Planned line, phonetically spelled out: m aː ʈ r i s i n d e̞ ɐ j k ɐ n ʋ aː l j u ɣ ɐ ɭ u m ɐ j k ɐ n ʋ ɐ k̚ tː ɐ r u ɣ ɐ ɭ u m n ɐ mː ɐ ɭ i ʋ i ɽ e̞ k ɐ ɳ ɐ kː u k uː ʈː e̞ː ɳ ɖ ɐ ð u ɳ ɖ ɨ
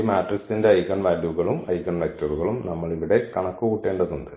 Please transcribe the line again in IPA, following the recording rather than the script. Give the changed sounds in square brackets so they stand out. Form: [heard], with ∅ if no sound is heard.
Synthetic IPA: m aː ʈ r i s i n d e̞ ɐ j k ɐ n ʋ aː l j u ɣ ɐ ɭ u m ɐ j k ɐ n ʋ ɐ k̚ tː ɐ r u ɣ ɐ ɭ u m n ɐ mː ɐ ɭ i ʋ i ɽ e̞ k ɐ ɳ ɐ kː u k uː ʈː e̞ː ɳ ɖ ɐ ð u ɳ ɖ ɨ